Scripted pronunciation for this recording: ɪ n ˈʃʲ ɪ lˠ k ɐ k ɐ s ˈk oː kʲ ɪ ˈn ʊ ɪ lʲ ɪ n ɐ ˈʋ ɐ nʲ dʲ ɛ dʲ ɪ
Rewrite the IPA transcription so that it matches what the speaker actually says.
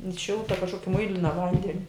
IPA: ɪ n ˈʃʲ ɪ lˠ t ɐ k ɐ ʃ ˈk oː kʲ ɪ ˈm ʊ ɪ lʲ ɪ n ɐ ˈʋ ɐ nʲ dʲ ɛ nʲ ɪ